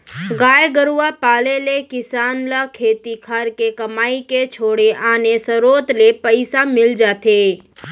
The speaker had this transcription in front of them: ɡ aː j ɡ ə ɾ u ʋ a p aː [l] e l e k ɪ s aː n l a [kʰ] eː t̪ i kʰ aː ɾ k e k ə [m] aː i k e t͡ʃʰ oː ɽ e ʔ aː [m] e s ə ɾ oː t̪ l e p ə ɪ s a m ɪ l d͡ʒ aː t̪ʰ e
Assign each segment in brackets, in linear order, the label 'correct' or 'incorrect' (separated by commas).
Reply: correct, correct, correct, incorrect